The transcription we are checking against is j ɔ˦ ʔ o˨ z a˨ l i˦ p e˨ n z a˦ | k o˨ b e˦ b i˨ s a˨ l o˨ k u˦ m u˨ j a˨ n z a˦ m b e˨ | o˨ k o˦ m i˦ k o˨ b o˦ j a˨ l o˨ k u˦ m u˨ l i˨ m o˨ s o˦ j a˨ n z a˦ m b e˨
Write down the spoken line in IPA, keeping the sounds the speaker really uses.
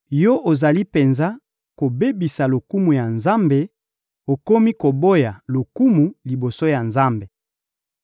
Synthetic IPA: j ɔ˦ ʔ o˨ z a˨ l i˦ p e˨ n z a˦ | k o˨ b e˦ b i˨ s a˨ l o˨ k u˦ m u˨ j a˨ n z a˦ m b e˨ | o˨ k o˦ m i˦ k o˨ b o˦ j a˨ l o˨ k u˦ m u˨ l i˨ b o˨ s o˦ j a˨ n z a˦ m b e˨

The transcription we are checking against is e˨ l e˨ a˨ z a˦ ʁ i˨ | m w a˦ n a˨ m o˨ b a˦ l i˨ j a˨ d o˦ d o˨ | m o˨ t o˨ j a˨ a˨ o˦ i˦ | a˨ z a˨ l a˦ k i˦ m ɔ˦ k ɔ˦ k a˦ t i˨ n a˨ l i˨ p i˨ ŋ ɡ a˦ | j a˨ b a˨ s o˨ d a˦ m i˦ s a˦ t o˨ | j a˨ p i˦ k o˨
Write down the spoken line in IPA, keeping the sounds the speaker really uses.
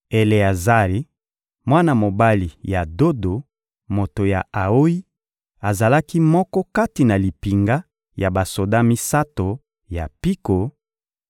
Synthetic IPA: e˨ l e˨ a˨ z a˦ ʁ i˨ | m w a˦ n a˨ m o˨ b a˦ l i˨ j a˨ d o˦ d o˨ | m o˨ t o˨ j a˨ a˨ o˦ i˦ | a˨ z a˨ l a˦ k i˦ m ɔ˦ k ɔ˦ k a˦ t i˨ n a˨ l i˨ p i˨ ŋ ɡ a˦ | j a˨ b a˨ s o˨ d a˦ m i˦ s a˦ t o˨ | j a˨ p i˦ k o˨

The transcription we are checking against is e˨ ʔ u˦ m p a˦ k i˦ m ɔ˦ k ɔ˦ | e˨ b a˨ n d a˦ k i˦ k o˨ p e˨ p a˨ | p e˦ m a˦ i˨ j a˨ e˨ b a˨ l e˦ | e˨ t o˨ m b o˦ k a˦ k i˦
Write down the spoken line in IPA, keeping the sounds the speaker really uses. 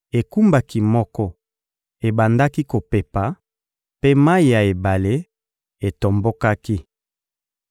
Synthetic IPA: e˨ k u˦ m b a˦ k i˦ m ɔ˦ k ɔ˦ | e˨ b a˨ n d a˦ k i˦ k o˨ p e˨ p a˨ | p e˦ m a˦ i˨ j a˨ e˨ b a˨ l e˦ | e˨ t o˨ m b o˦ k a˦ k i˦

